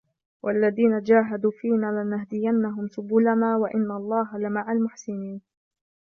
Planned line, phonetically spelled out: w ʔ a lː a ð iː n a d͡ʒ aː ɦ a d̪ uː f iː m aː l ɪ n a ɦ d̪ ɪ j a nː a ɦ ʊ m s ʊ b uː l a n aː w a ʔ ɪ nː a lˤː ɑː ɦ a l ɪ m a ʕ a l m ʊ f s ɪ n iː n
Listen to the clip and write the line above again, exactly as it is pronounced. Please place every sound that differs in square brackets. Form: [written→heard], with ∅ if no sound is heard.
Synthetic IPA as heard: w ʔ a lː a ð iː n a d͡ʒ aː ɦ a d̪ uː f iː [m→n] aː l ɪ n a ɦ d̪ ɪ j a nː a ɦ ʊ m s ʊ b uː l a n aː w a ʔ ɪ nː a lˤː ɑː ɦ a l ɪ m a ʕ a l m ʊ [f→ħ] s ɪ n iː n